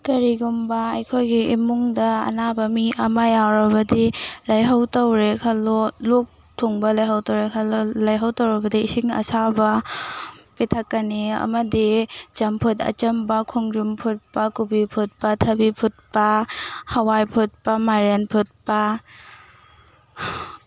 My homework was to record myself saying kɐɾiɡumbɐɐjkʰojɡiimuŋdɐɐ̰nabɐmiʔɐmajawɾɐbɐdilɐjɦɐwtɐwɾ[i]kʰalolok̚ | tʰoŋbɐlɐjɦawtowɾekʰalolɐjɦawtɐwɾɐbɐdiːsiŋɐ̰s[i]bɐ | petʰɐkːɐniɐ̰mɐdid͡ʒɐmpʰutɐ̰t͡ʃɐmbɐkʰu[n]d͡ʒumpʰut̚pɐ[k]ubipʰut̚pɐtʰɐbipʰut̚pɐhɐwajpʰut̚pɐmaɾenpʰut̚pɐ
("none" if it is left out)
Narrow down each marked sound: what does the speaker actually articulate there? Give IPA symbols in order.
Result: e, a, ŋ, k

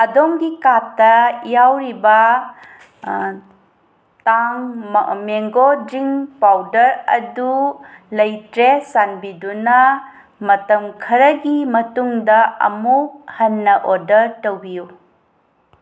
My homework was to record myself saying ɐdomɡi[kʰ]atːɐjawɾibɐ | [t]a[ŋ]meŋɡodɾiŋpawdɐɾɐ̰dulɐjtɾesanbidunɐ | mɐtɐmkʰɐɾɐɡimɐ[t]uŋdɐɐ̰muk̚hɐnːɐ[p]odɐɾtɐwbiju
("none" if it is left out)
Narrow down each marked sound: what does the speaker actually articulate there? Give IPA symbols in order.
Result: k, t, ŋ, t, ʔ

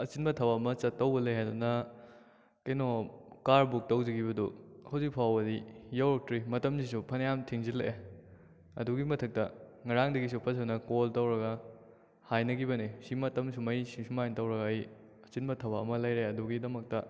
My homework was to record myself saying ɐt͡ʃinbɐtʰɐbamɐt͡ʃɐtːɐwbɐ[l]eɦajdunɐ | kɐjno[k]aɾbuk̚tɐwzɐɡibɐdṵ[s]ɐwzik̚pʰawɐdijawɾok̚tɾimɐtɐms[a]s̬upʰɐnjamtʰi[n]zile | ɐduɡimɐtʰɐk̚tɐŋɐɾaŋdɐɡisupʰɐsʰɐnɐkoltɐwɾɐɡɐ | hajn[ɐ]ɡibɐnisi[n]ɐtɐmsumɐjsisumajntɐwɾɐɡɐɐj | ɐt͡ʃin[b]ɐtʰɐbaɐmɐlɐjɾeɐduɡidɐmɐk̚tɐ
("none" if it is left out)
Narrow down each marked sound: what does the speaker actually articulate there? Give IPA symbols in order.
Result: l, k, h, i, ŋ, ɐ, m, b

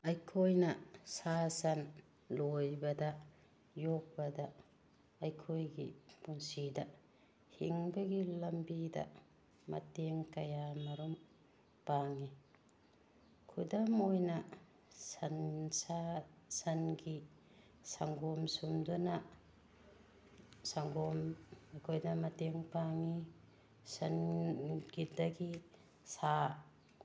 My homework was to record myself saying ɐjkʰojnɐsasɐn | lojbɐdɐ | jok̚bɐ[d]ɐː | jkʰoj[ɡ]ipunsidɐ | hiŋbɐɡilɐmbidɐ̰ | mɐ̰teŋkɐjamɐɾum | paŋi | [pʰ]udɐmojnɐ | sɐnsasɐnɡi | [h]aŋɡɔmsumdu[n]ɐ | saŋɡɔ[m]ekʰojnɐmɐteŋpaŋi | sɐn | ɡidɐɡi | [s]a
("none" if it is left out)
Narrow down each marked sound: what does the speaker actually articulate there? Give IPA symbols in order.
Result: d, ɡ, kʰ, s, n, m, s

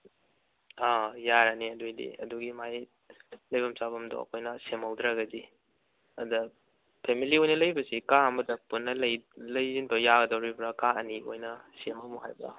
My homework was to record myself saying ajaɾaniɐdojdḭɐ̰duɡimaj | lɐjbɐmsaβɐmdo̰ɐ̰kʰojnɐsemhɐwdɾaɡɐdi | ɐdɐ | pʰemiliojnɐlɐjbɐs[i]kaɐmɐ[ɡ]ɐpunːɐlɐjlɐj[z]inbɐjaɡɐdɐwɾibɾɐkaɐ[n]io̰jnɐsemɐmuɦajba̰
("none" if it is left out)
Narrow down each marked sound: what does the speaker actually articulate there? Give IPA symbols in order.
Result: i, d, z, n

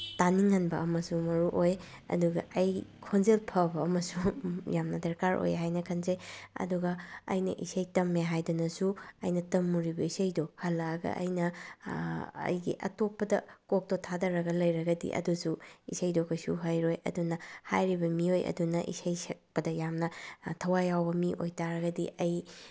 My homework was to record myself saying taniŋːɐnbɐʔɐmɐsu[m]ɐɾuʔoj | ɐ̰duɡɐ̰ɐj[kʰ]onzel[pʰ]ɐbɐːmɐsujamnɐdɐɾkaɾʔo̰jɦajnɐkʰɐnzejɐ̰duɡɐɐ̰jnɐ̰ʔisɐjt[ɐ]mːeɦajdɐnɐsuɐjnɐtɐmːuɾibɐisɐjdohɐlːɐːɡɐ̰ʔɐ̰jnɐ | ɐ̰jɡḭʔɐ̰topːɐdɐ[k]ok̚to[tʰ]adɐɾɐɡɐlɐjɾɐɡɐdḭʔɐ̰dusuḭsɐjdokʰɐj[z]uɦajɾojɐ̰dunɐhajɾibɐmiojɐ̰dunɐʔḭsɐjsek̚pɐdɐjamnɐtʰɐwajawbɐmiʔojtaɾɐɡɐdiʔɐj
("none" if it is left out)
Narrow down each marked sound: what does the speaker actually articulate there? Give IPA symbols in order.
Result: m, kʰ, pʰ, ɐ, k, tʰ, s

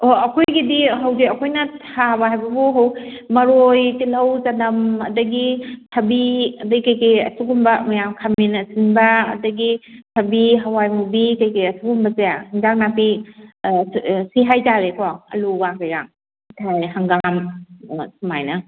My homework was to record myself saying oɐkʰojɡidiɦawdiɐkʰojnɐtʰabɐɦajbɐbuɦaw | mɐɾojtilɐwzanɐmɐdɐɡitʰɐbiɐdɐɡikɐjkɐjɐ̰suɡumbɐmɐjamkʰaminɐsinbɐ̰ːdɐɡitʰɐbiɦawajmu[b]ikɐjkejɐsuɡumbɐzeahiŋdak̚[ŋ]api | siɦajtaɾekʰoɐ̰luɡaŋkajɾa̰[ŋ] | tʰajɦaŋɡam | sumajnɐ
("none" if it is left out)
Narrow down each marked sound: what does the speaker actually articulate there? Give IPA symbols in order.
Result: b, n, ŋ

